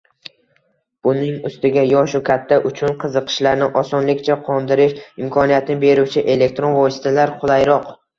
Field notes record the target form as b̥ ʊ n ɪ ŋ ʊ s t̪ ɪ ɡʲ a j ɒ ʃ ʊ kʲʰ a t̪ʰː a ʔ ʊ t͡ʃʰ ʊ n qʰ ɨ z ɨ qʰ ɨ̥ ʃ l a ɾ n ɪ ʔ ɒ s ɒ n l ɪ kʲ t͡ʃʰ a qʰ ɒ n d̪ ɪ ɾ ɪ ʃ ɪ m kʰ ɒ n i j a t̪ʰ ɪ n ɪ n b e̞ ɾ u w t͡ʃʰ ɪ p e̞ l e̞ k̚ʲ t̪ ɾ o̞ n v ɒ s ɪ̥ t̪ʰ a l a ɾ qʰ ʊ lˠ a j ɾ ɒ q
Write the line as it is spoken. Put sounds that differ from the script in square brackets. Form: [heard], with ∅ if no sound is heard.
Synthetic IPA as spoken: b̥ ʊ n ɪ ŋ ʊ s t̪ ɪ ɡʲ a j ɒ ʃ ʊ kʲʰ a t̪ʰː a ʔ ʊ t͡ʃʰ ʊ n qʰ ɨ z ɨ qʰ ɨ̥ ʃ l a ɾ n ɪ ʔ ɒ s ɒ n l ɪ kʲ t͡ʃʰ a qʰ ɒ n d̪ ɪ ɾ ɪ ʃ ɪ m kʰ ɒ n i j a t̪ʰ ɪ n ɪ [∅] b e̞ ɾ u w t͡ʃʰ ɪ [ʔ] e̞ l e̞ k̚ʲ t̪ ɾ o̞ n v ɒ s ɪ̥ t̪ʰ a l a ɾ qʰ ʊ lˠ a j ɾ ɒ q